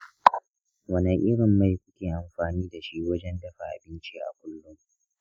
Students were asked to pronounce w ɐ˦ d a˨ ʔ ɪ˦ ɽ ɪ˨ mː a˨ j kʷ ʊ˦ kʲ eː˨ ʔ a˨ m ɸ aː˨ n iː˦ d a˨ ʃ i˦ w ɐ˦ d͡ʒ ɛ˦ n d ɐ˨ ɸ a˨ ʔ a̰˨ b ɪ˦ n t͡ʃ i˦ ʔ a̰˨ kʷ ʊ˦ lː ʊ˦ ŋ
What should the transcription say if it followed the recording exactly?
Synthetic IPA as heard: w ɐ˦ n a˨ ʔ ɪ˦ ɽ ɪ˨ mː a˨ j kʷ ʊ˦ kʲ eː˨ ʔ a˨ m ɸ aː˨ n iː˦ d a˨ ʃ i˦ w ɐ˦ d͡ʒ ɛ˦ n d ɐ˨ ɸ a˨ ʔ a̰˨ b ɪ˦ n t͡ʃ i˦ ʔ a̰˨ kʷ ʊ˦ lː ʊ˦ ŋ